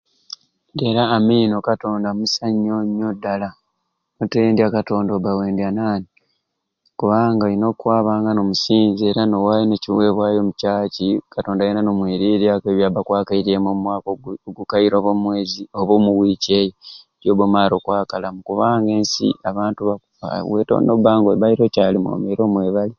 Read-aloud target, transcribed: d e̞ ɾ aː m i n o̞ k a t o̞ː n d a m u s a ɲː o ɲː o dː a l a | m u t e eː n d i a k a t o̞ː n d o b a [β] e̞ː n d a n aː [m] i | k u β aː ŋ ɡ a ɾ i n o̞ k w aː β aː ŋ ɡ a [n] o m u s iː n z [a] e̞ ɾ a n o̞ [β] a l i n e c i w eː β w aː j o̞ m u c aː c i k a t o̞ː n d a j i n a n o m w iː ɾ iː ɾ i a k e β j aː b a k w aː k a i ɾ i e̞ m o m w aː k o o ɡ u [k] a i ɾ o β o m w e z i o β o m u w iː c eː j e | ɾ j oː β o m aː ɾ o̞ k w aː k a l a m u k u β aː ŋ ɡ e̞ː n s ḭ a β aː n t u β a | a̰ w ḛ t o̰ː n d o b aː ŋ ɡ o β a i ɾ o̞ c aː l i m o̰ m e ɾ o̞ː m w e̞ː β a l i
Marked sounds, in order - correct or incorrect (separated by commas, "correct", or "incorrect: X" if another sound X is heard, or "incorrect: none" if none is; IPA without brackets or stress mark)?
incorrect: w, incorrect: n, correct, incorrect: i, incorrect: w, correct